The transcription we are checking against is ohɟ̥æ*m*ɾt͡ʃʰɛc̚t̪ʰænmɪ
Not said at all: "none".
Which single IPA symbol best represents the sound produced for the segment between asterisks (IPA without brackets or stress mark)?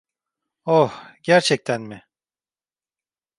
none